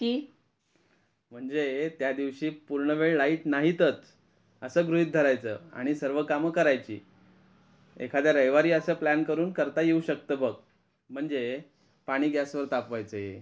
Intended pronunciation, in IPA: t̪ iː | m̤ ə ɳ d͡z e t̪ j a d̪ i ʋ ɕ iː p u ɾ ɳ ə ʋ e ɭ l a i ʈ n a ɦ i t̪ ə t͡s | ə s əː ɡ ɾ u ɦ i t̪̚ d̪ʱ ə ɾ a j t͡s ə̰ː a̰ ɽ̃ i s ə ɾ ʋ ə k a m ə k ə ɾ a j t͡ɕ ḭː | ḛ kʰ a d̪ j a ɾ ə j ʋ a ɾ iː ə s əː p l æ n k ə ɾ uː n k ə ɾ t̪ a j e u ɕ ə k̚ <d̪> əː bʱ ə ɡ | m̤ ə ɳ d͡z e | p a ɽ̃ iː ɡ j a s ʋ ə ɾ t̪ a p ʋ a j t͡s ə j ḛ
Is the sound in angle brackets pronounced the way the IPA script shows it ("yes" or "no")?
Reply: no